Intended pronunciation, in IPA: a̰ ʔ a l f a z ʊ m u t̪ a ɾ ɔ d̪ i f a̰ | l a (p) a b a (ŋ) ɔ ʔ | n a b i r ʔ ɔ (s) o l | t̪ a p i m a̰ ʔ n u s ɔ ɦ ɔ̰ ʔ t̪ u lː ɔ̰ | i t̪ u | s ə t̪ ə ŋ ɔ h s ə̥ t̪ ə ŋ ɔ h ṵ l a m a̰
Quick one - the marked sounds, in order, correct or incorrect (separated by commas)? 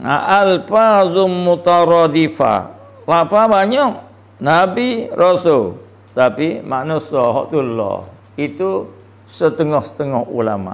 correct, incorrect, correct